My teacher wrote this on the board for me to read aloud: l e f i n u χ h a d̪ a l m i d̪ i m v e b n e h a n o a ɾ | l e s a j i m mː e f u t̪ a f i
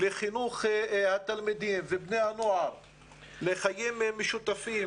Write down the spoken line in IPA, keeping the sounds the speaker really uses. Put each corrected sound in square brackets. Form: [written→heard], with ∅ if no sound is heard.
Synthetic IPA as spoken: l e [f→χ] i n u χ h a [d̪→t̪] a l m i d̪ i m v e b n e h a n o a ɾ | l e [s→χ] a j i m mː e [f→ʃ] u t̪ a f i